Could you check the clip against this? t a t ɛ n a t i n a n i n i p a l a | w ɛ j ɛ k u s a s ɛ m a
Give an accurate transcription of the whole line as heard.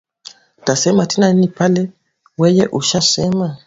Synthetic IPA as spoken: t a s ɛ m a t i n a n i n i p a l ɛ | w ɛ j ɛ ʔ u ʃ a s ɛ m a

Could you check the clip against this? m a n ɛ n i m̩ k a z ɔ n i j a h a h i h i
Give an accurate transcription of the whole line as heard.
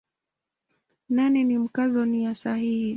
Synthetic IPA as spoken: n a n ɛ n i m̩ k a z ɔ n i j a s a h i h i

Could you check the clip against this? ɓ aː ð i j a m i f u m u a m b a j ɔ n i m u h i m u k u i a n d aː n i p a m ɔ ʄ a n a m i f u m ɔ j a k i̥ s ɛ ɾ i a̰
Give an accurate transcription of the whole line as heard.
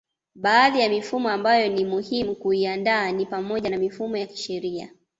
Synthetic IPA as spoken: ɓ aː ð i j a m i f u m ɔ a m b a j ɔ n i m u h i m u k u i a n d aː n i p a m ɔ ʄ a n a m i f u m ɔ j a k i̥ ʃ ɛ ɾ i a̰

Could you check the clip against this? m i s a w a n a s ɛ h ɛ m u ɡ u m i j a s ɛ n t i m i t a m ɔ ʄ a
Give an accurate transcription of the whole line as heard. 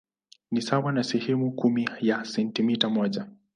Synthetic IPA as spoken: n i s a w a n a s ɛ h ɛ m u k u m i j a s ɛ n t i m i t a m ɔ ʄ a

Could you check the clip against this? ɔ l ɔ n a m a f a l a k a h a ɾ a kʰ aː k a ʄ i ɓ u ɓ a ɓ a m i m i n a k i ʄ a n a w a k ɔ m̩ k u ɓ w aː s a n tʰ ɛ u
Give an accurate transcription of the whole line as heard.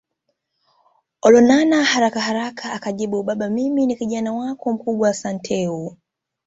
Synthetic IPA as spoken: ɔ l ɔ n a n a h a ɾ a k a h a ɾ a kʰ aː k a ʄ i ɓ u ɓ a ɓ a m i m i n i k i ʄ a n a w a k ɔ m̩ k u ɓ w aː s a n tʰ ɛ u

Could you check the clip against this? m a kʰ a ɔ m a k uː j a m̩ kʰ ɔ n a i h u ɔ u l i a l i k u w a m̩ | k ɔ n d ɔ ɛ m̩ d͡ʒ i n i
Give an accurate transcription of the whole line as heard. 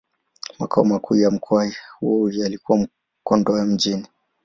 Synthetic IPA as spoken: m a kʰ a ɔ m a k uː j a m̩ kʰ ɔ a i h u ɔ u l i a l i k u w a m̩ | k ɔ n d ɔ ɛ m̩ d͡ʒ i n i

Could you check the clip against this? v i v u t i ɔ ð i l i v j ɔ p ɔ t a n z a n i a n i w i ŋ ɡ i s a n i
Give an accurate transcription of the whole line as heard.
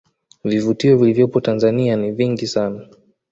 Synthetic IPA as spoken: v i v u t i ɔ v i l i v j ɔ p ɔ t a n z a n i a n i v i ŋ ɡ i s a n a

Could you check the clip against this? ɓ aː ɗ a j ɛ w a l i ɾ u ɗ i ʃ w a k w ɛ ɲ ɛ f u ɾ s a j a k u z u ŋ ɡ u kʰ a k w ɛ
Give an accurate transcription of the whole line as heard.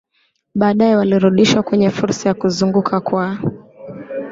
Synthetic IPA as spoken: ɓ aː ɗ a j ɛ w a l i ɾ u ɗ i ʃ w a k w ɛ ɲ ɛ f u ɾ s a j a k u z u ŋ ɡ u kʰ a k w a

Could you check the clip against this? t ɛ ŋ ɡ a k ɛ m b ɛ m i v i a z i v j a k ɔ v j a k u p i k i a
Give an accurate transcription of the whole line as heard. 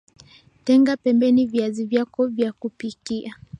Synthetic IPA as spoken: t ɛ ŋ ɡ a p ɛ m b ɛ n i v i a z i v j a k ɔ v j a k u p i k i a

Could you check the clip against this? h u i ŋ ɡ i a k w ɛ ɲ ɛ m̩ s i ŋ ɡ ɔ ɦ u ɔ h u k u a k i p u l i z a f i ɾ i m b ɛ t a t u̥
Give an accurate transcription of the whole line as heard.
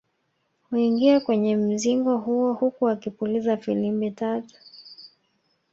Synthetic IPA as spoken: h u i ŋ ɡ i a k w ɛ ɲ ɛ m̩ z i ŋ ɡ ɔ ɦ u ɔ h u k u a k i p u l i z a f i l i m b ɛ t a t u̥

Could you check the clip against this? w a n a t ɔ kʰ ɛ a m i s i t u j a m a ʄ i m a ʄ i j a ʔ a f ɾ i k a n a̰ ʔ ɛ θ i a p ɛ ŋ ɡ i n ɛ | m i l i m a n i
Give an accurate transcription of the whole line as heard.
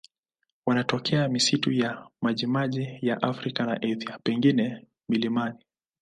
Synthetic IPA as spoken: w a n a t ɔ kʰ ɛ a m i s i t u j a m a ʄ i m a ʄ i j a ʔ a f ɾ i k a n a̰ ʔ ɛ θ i a p ɛ ŋ ɡ i n ɛ | m i l i m a n i

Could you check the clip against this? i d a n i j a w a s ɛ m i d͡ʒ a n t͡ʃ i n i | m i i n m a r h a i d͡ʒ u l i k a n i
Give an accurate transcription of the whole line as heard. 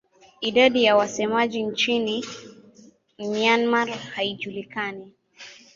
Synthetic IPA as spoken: i d a d i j a w a s ɛ m a d͡ʒ i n t͡ʃ i n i | m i a n m a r h a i d͡ʒ u l i k a n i

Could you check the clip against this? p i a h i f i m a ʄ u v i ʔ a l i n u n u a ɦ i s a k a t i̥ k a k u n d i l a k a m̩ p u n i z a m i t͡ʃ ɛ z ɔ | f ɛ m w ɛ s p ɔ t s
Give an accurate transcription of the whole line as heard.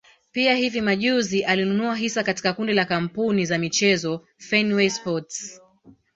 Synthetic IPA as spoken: p i a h i v i m a ʄ u z i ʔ a l i n u n u a ɦ i s a k a t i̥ k a k u n d i l a k a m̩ p u n i z a m i t͡ʃ ɛ z ɔ | f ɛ n w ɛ s p ɔ t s

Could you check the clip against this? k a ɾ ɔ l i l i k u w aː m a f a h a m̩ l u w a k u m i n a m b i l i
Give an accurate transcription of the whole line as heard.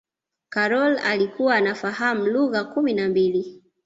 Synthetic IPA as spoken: k a ɾ ɔ l a l i k u w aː n a f a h a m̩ l u ɣ a k u m i n a m b i l i

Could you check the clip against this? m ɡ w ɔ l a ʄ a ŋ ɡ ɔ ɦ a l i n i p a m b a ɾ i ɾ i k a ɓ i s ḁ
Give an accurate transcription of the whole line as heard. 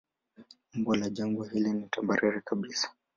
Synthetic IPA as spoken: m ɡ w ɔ l a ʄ a ŋ ɡ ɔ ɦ i l i n i t a m b a ɾ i ɾ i k a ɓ i s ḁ

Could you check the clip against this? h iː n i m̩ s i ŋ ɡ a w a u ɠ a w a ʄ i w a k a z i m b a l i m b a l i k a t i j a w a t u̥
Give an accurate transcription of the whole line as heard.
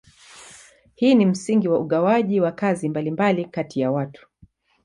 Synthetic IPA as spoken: h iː n i m̩ s i ŋ ɡ i w a u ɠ a w a ʄ i w a k a z i m b a l i m b a l i k a t i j a w a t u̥

